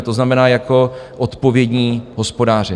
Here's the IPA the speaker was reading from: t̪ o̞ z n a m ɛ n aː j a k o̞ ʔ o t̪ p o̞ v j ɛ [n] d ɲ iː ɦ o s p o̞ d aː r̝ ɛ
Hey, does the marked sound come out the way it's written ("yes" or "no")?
no